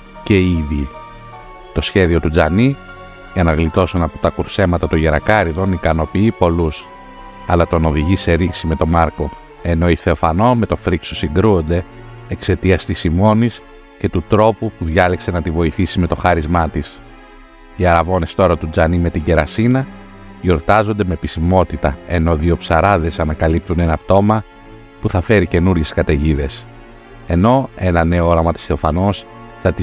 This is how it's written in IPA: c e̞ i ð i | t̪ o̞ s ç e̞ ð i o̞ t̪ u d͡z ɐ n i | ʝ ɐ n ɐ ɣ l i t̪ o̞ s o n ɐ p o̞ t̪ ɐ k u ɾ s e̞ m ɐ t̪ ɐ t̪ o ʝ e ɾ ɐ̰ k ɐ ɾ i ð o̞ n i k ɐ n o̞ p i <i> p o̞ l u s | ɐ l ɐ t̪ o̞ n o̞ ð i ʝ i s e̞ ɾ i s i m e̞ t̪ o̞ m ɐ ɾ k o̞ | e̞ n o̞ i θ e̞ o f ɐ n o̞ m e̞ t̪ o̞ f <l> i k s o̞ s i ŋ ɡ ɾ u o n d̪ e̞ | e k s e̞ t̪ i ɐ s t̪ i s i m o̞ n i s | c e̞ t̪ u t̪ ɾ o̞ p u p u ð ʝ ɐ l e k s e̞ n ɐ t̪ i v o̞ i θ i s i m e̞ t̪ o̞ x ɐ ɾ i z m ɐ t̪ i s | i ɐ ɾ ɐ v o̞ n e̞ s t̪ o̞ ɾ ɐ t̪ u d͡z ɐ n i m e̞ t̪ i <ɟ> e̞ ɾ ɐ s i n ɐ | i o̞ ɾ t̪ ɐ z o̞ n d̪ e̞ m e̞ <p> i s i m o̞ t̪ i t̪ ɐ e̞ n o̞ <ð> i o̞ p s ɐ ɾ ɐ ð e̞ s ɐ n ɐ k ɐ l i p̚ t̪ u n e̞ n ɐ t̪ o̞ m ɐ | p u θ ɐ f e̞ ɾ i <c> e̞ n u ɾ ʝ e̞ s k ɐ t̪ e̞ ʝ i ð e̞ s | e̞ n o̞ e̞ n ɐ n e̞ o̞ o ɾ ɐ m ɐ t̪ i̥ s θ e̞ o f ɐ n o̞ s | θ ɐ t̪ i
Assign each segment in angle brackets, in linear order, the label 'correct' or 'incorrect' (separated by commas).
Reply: correct, incorrect, correct, correct, correct, correct